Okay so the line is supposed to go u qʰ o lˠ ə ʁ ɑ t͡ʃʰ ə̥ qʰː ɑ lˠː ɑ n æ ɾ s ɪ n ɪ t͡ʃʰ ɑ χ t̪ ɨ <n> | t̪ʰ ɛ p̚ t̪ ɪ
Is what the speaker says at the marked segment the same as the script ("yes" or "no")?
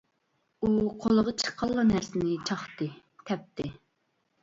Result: no